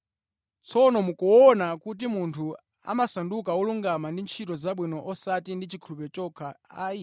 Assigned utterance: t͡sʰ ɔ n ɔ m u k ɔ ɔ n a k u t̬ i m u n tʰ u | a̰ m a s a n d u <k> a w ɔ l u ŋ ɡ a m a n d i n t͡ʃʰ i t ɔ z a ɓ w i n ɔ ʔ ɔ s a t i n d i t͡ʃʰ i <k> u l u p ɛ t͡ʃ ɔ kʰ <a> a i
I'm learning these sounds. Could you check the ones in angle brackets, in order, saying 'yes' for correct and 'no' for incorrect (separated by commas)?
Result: yes, no, yes